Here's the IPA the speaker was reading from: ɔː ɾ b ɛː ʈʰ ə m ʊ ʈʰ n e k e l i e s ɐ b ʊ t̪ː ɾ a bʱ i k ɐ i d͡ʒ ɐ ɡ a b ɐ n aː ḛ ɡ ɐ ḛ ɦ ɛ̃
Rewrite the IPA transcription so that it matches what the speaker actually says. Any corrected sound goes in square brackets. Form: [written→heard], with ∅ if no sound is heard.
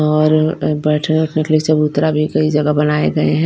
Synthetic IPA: ɔː ɾ b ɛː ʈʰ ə [m→n] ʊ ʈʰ n e k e l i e s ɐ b ʊ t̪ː ɾ a bʱ i k ɐ i d͡ʒ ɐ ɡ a b ɐ n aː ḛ ɡ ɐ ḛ ɦ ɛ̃